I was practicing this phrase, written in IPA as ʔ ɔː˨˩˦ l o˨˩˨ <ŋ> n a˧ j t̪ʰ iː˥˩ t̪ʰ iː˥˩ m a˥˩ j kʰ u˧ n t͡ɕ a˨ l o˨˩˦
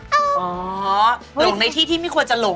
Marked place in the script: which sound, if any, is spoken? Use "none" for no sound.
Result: ŋ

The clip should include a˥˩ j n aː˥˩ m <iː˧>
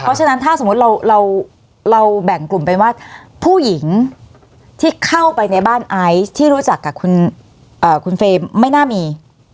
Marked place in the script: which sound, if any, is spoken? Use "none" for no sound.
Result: iː˧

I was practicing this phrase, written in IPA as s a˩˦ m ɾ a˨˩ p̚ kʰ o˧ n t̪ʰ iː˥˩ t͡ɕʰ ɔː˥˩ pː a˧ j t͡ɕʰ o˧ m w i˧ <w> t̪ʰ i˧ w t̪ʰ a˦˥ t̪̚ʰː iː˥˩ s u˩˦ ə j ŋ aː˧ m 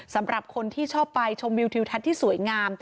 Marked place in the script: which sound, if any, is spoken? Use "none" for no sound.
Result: w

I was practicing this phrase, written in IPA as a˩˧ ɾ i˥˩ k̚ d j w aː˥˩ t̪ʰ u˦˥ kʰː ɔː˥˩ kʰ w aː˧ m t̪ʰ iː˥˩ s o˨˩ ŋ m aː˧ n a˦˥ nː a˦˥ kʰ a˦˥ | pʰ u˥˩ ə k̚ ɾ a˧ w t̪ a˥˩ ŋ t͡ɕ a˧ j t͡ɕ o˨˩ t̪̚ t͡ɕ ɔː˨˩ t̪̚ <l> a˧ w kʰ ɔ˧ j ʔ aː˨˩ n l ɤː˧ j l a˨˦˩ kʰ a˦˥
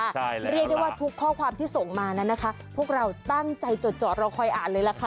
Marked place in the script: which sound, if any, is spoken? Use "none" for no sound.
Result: ɾ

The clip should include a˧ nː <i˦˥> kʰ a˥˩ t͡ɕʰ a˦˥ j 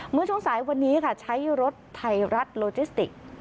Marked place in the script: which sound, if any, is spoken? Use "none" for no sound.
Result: iː˦˥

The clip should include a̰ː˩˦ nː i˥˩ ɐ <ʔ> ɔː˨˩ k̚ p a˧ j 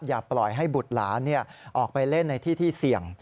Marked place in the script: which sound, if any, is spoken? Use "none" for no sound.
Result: ʔ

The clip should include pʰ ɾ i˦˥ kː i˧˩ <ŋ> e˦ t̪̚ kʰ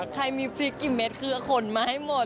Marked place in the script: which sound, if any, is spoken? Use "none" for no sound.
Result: m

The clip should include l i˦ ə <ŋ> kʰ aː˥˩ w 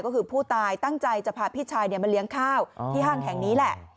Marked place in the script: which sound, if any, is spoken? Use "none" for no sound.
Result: ŋ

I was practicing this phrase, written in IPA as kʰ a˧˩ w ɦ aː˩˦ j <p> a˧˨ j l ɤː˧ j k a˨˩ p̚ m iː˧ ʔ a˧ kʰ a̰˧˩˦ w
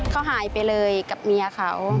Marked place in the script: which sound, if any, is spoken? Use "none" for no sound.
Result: p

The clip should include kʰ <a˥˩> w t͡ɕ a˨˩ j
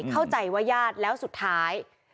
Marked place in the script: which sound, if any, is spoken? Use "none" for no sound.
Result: a˥˩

